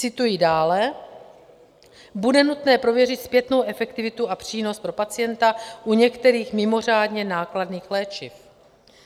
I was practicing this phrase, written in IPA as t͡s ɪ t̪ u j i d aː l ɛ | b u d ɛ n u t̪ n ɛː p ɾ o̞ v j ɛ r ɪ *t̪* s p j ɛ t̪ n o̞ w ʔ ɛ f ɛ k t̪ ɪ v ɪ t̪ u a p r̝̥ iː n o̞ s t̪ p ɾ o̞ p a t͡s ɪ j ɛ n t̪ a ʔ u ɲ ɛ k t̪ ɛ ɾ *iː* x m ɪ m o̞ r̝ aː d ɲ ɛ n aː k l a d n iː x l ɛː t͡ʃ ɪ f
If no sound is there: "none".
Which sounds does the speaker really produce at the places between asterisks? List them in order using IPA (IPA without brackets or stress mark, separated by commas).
t̪, iː